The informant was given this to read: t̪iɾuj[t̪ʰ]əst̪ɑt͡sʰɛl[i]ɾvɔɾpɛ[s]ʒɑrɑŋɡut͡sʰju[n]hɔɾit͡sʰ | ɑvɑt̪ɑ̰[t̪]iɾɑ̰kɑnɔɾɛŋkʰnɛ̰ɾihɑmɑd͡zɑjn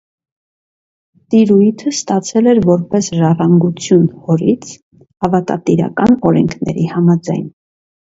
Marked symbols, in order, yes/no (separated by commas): yes, no, yes, yes, yes